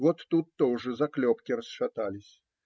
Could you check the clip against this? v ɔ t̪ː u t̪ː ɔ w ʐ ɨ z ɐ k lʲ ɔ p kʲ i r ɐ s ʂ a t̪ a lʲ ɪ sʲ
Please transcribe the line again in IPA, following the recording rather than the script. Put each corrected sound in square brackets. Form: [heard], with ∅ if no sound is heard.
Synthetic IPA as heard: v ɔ t̪ː u t̪ː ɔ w ʐ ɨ z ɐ k lʲ ɔ p kʲ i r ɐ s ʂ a t̪ a lʲ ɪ sʲ

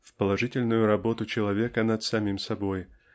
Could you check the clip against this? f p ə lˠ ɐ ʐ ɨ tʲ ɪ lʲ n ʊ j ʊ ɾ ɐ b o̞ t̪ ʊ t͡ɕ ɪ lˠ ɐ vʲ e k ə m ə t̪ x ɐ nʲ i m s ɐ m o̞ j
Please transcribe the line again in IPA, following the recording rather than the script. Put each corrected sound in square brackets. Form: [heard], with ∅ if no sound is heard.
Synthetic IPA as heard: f p ə lˠ ɐ ʐ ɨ tʲ ɪ lʲ n ʊ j ʊ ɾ ɐ b o̞ t̪ ʊ t͡ɕ ɪ lˠ ɐ vʲ e k ə [n] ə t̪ [s] ɐ [mʲ] i m s ɐ [b] o̞ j

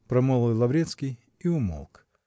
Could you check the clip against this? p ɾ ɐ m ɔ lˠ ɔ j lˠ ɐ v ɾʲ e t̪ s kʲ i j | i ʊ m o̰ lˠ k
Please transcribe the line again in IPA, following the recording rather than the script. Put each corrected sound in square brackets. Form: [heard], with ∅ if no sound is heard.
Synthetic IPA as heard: p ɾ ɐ m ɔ lˠ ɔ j lˠ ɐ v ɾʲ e t̪ s kʲ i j | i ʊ m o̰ lˠ k

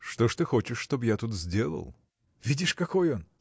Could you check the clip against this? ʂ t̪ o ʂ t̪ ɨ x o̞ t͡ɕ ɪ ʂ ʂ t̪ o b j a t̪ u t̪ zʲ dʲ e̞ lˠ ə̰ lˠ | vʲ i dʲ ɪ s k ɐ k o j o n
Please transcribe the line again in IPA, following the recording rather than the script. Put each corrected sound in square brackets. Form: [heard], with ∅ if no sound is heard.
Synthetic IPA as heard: ʂ t̪ o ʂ t̪ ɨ x o̞ t͡ɕ ɪ ʂ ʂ t̪ o b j a t̪ u t̪ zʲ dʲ e̞ lˠ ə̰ lˠ | vʲ i dʲ ɪ [ʂ] k ɐ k o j o n

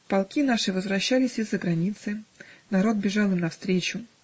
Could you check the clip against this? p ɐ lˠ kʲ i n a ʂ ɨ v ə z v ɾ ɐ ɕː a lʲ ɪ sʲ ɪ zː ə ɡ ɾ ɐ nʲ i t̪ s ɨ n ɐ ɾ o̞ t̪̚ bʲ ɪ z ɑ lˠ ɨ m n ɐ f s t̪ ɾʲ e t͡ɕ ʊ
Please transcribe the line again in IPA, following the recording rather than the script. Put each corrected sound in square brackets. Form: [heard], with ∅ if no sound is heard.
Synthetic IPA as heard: p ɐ lˠ kʲ i n a ʂ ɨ v ə z v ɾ ɐ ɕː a lʲ ɪ sʲ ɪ zː ə ɡ ɾ ɐ nʲ i t̪ s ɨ n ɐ ɾ o̞ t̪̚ bʲ ɪ [ʐ] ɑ lˠ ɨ m n ɐ f s t̪ ɾʲ e t͡ɕ ʊ

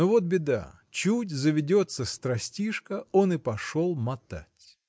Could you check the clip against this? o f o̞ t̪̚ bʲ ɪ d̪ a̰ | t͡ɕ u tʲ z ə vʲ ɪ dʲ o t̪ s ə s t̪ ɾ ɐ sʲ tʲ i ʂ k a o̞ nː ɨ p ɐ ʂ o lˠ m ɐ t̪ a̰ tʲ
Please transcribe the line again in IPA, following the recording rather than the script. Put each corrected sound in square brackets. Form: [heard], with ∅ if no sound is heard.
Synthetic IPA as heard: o [v] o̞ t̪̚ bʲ ɪ d̪ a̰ | t͡ɕ u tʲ z ə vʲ ɪ dʲ o t̪ s ə s t̪ ɾ ɐ sʲ tʲ i ʂ k [ə] o̞ [n] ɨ p ɐ ʂ o lˠ m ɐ t̪ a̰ tʲ

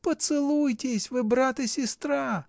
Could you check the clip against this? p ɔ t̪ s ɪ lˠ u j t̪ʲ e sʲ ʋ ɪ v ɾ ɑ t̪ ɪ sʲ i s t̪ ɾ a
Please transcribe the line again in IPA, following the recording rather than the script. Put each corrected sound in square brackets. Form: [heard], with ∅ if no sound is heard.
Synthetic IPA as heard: p ɔ t̪ s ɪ lˠ u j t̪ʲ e sʲ ʋ ɪ [b] ɾ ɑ t̪ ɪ sʲ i s t̪ ɾ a

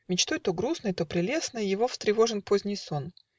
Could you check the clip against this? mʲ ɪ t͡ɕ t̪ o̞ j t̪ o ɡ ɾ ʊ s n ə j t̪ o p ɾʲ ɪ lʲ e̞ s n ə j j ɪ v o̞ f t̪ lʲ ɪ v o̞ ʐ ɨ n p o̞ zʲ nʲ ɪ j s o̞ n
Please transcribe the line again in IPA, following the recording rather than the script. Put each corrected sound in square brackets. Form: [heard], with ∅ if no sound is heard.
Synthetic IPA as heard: mʲ ɪ t͡ɕ t̪ o̞ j t̪ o ɡ ɾ [u] s n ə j t̪ o p ɾʲ ɪ lʲ e̞ s n ə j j ɪ v o̞ f t̪ [ɾʲ] ɪ v o̞ ʐ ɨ n p o̞ zʲ nʲ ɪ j s o̞ n

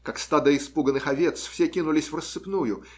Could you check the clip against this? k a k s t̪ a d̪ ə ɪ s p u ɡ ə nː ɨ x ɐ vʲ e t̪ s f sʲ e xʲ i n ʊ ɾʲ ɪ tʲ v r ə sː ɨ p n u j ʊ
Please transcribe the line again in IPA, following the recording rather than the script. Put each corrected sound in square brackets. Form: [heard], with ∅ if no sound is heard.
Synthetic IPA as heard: k a k s t̪ a d̪ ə ɪ s p u ɡ ə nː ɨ x ɐ vʲ e t̪ s f sʲ e [kʲ] i n ʊ [lʲ] ɪ [sʲ] v r ə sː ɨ p n u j ʊ

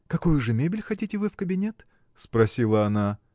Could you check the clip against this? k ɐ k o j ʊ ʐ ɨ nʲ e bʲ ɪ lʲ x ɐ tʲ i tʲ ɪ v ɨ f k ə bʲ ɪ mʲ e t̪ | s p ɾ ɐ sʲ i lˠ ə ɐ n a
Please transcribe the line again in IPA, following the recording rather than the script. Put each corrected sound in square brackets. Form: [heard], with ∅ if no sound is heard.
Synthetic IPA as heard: k ɐ k o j ʊ ʐ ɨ [mʲ] e bʲ ɪ lʲ x ɐ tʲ i tʲ ɪ v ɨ f k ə bʲ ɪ [nʲ] e t̪ | s p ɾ ɐ sʲ i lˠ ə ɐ n a

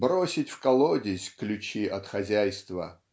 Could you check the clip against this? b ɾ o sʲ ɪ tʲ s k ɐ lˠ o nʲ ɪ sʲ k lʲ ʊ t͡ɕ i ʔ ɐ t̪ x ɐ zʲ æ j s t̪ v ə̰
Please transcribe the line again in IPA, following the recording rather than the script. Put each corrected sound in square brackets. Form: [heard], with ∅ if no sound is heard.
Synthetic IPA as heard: b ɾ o sʲ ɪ tʲ [f] k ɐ lˠ o [dʲ] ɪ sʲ k lʲ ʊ t͡ɕ i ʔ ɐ t̪ x ɐ zʲ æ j s t̪ v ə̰

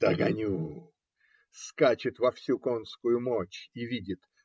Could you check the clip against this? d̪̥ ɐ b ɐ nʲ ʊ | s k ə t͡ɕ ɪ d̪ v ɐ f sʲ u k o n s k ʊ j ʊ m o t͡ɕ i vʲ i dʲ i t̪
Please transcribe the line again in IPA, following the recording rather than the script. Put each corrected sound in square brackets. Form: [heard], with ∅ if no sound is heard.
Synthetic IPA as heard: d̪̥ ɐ [ɡ] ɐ nʲ [u] | s k [a] t͡ɕ ɪ [t̪] v ɐ f sʲ u k o n s k ʊ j ʊ m o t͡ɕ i vʲ i dʲ [ɪ] t̪

